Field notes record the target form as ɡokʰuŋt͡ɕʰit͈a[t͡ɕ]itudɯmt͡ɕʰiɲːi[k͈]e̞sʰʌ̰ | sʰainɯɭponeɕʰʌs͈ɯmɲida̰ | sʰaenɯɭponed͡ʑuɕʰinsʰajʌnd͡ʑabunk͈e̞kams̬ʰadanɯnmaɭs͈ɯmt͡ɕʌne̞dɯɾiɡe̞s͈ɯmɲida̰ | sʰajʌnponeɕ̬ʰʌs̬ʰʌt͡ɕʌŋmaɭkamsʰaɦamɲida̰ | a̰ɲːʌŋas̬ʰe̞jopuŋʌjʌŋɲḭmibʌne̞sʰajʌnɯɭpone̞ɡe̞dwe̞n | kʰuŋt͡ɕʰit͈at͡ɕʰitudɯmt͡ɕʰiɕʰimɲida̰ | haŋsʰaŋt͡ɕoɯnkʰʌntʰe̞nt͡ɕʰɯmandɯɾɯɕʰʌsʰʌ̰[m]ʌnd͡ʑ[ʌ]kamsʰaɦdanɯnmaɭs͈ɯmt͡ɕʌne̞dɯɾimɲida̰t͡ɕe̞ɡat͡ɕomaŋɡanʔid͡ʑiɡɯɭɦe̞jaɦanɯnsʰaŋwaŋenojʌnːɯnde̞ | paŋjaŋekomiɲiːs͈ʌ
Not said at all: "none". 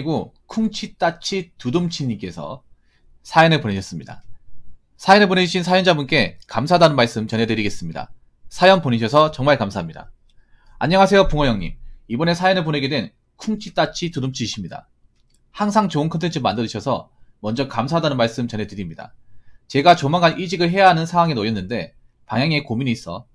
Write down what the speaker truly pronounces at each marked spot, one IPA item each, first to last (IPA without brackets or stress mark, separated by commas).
t͡ɕʰ, k͈, m, ʌ